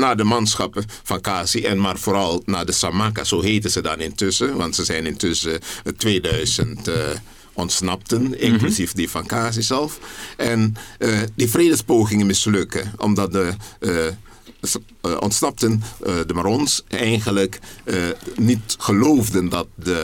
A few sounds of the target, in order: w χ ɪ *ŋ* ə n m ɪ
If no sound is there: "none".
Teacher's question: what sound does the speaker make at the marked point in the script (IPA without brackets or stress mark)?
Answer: ŋ